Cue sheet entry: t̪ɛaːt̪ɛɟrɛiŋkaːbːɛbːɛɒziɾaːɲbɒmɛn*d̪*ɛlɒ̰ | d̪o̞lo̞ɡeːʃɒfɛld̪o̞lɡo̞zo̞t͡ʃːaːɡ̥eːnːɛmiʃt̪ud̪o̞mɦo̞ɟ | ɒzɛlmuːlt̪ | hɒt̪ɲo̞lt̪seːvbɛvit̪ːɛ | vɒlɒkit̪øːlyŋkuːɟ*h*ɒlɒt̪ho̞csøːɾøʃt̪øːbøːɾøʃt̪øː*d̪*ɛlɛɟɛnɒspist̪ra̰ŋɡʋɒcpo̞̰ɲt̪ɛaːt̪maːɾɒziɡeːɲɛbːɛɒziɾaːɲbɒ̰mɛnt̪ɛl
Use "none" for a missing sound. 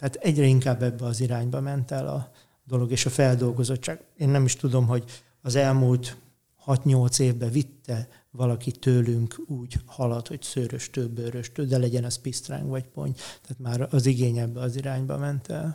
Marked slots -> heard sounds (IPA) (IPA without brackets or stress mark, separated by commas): t̪, h, d̪